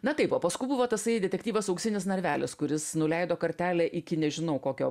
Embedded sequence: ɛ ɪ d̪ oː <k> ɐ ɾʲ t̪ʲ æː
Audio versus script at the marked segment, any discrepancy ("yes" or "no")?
no